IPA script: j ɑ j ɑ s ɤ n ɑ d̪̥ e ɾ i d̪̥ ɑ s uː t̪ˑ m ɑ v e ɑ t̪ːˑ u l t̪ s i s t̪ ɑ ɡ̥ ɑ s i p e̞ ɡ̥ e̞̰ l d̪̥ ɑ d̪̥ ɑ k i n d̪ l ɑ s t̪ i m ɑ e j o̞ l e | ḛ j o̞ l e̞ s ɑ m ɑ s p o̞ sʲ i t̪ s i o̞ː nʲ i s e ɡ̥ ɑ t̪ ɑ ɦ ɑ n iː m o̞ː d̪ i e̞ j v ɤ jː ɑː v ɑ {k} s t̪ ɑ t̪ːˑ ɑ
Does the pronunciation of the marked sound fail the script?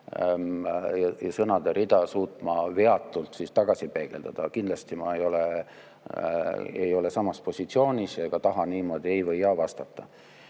yes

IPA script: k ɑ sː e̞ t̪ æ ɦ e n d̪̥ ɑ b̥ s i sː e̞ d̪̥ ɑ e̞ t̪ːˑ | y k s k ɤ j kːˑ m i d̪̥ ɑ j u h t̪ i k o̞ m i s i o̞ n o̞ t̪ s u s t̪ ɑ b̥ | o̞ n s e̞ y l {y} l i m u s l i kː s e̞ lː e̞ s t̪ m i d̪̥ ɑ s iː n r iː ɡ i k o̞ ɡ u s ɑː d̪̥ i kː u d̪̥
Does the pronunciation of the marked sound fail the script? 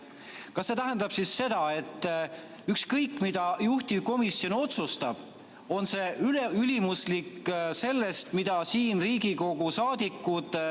no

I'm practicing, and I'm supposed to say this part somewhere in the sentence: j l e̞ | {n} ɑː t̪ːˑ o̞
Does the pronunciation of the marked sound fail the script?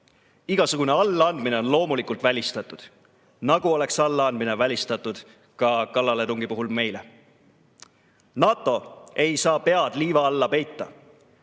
no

